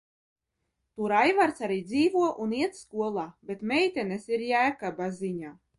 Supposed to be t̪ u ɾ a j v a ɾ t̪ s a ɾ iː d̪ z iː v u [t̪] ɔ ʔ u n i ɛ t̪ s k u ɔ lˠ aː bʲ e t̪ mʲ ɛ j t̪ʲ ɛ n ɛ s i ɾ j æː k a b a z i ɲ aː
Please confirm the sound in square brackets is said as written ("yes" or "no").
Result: no